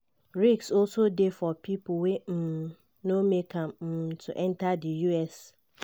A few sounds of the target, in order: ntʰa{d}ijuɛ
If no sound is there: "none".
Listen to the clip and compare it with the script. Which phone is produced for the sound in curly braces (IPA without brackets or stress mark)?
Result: d